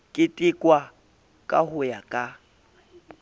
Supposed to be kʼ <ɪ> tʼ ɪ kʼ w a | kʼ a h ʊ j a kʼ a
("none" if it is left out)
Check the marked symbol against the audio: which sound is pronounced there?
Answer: ɪ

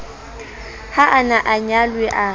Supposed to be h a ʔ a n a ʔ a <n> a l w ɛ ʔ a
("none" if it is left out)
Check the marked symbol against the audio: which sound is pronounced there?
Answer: ɲ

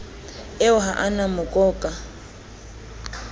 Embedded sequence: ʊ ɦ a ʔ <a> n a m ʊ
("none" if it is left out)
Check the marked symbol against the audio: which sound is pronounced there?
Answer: a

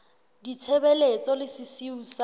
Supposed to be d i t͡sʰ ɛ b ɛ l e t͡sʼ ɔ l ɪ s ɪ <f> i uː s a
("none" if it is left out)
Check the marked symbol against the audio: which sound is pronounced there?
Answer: s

